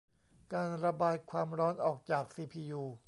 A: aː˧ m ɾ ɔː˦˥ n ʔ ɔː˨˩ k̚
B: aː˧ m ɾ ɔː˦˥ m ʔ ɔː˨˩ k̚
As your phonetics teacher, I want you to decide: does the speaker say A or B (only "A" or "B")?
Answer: A